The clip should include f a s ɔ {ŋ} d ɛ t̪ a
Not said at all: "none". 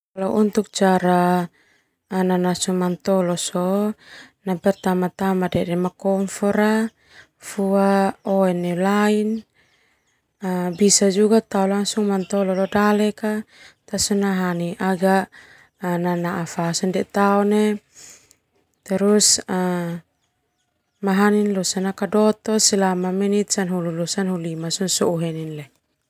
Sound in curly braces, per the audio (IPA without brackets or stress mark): n